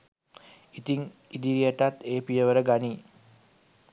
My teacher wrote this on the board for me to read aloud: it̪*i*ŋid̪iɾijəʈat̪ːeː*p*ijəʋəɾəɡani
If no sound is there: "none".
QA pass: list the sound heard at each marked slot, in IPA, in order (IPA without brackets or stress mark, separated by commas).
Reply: i, p